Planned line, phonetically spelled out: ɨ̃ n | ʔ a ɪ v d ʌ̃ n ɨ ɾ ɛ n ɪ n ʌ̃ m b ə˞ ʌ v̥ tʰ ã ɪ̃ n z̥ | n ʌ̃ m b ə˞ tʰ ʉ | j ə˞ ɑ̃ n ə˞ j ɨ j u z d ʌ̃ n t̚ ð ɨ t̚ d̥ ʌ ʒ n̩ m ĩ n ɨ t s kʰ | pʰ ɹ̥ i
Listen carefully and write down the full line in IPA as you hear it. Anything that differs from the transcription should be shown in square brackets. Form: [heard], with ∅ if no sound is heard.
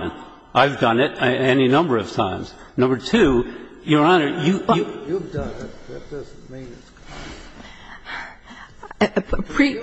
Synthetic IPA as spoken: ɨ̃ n | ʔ a ɪ v d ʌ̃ n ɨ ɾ ɛ n [i] n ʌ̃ m b ə˞ ʌ v̥ tʰ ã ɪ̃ [m] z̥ | n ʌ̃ m b ə˞ tʰ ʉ | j ə˞ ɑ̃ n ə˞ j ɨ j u [v] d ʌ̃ n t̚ ð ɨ t̚ d̥ ʌ [z] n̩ m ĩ n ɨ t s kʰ | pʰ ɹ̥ i